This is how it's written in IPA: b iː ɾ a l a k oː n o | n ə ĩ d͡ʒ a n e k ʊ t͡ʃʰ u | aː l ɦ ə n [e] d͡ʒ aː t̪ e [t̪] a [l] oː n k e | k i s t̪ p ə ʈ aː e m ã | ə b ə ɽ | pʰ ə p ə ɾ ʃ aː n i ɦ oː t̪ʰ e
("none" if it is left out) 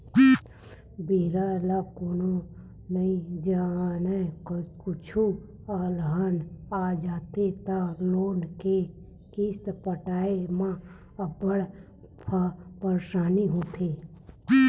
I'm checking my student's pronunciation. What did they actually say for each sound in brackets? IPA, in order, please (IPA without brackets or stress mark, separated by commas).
a, t̪, l